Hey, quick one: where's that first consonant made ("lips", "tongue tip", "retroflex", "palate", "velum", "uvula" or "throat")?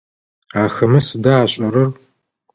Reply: velum